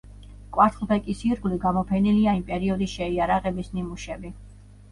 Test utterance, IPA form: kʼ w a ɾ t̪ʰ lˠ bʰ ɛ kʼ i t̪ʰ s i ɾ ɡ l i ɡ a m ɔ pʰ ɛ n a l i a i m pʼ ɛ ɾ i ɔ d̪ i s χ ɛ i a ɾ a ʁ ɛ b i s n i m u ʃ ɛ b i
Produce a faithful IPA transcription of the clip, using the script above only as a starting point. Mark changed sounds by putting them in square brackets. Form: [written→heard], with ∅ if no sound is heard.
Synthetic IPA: kʼ w a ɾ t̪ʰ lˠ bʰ ɛ kʼ i [t̪ʰ→∅] s i ɾ ɡ l i ɡ a m ɔ pʰ ɛ n [a→i] l i a i m pʼ ɛ ɾ i ɔ d̪ i s [χ→ʃ] ɛ i a ɾ a ʁ ɛ b i s n i m u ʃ ɛ b i